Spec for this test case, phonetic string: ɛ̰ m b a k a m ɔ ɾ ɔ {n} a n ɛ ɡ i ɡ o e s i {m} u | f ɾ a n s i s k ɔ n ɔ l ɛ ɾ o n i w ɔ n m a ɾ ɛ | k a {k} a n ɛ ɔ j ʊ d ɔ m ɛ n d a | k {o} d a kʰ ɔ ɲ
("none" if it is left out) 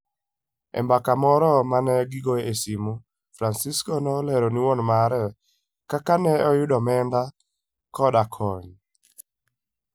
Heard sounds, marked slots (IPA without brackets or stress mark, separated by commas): m, m, k, ɔ